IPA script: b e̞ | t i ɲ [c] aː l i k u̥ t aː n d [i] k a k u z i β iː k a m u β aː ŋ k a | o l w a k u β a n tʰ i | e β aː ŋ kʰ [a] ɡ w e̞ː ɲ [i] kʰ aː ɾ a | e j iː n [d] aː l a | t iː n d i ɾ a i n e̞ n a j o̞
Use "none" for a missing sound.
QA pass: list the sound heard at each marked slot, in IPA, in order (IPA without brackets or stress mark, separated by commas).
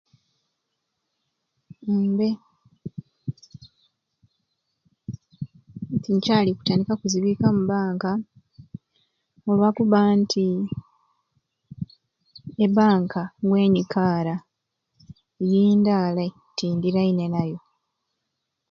c, i, a, i, d